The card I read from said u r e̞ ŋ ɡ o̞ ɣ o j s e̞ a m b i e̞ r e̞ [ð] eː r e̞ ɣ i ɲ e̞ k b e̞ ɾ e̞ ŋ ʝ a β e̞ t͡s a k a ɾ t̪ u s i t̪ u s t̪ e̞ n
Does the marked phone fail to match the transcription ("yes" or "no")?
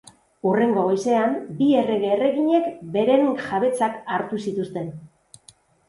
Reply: yes